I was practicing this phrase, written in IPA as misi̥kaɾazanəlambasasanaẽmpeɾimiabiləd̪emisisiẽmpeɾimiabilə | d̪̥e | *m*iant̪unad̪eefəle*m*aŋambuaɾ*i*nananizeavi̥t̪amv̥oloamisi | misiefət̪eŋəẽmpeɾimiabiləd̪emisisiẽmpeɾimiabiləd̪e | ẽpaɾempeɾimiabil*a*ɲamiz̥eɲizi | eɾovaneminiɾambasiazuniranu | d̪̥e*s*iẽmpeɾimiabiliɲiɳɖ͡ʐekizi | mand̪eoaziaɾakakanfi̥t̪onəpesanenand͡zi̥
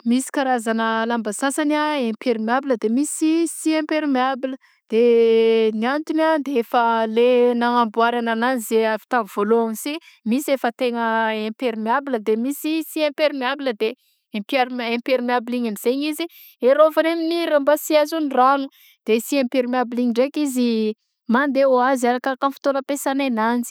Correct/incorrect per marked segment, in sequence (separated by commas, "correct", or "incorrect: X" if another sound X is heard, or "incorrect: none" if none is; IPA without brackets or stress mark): incorrect: n, incorrect: n, incorrect: a, incorrect: i, correct